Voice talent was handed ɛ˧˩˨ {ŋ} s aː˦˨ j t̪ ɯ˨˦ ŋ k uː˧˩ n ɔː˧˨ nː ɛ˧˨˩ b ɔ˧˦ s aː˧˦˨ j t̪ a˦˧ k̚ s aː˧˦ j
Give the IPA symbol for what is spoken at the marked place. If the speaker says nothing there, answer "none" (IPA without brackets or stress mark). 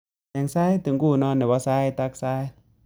ŋ